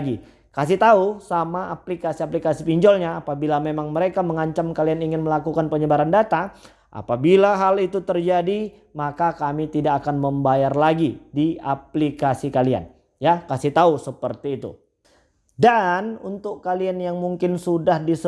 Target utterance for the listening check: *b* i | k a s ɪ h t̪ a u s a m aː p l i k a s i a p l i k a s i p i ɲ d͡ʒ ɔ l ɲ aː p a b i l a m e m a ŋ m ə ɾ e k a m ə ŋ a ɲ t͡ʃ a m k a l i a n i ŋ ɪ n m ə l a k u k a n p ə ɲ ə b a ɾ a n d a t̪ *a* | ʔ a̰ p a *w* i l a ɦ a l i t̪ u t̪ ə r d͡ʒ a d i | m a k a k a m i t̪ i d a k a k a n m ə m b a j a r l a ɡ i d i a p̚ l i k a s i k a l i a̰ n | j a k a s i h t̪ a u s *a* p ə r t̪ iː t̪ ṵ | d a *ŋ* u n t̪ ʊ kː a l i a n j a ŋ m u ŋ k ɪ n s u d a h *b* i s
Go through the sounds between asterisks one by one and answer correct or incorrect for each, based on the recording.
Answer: incorrect: ɡ, correct, incorrect: b, incorrect: ə, incorrect: n, incorrect: d

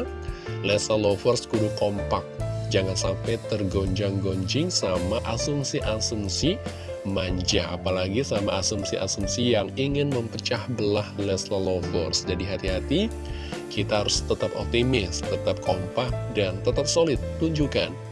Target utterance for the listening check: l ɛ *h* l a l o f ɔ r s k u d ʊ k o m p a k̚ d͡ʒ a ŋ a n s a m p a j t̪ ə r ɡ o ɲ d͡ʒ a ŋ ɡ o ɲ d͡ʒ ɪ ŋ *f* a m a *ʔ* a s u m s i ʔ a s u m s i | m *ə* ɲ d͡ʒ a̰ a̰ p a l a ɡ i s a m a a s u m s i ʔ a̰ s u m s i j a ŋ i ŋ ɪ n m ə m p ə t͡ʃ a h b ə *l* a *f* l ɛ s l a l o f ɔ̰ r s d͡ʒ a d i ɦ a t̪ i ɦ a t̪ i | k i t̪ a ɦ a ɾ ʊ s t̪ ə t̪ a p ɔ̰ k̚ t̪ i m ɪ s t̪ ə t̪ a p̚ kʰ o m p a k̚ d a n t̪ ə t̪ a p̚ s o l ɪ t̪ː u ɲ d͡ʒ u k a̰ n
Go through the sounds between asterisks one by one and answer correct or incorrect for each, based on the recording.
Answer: incorrect: s, incorrect: s, correct, incorrect: a, correct, incorrect: h

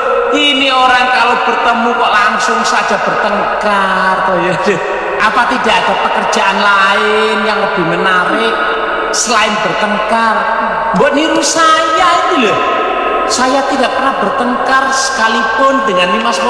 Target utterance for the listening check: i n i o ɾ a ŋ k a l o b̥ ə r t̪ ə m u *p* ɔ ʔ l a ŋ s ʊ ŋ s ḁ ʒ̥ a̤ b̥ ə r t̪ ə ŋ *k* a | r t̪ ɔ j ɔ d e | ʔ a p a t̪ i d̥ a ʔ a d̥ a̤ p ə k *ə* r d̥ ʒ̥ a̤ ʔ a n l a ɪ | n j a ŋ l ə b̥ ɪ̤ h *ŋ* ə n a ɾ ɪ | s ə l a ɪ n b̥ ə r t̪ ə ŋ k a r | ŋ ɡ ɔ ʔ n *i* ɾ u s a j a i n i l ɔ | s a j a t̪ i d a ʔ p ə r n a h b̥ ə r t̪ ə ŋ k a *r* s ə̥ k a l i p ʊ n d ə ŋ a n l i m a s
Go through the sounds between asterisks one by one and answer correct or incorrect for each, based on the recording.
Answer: incorrect: k, correct, correct, incorrect: m, correct, correct

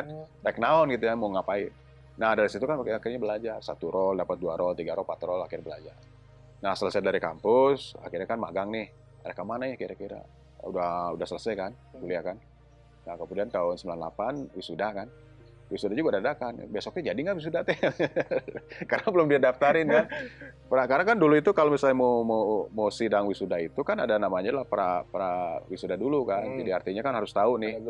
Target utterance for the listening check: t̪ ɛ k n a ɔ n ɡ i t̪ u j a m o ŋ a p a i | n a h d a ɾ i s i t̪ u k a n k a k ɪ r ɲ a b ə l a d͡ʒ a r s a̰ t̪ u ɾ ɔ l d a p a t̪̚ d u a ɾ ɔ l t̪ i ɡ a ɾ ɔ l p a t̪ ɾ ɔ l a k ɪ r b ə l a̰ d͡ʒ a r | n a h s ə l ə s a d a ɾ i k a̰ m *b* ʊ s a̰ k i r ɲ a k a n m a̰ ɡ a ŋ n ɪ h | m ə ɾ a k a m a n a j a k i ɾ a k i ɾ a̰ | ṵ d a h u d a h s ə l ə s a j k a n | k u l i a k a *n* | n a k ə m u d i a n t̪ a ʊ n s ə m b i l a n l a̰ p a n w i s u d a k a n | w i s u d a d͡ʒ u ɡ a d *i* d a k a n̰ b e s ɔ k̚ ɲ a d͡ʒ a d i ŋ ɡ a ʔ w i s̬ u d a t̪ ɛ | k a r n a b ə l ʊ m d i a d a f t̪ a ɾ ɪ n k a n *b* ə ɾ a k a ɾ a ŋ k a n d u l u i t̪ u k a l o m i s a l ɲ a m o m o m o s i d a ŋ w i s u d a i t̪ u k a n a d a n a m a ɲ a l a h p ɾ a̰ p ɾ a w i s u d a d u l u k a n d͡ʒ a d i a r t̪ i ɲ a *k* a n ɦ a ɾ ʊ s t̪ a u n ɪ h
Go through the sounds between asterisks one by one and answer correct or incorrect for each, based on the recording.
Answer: incorrect: p, correct, incorrect: a, incorrect: p, correct

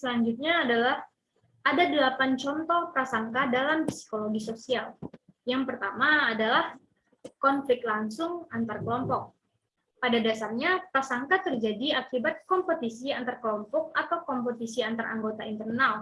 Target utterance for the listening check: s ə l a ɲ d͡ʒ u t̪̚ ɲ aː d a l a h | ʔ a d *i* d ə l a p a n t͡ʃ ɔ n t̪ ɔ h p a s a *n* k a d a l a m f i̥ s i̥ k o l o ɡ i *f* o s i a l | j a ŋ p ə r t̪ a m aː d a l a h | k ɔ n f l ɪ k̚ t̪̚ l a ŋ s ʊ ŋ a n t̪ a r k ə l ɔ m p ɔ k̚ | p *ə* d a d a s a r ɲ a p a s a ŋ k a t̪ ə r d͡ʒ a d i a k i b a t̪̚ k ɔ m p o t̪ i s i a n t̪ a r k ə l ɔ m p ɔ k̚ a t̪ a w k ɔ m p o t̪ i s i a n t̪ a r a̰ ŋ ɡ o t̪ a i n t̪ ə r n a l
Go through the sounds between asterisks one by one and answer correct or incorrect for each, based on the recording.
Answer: incorrect: a, incorrect: ŋ, incorrect: s, incorrect: a

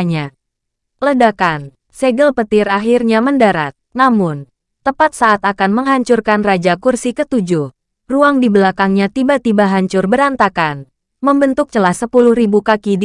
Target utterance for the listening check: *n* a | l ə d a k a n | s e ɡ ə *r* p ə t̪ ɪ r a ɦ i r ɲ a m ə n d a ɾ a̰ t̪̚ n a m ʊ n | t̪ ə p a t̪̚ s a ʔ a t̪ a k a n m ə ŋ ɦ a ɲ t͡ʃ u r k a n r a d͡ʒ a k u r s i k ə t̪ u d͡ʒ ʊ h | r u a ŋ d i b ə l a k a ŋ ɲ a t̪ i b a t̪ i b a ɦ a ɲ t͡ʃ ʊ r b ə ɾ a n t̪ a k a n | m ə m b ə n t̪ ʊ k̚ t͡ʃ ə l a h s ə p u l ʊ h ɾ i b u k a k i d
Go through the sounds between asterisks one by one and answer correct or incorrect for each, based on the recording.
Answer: incorrect: ɲ, incorrect: l

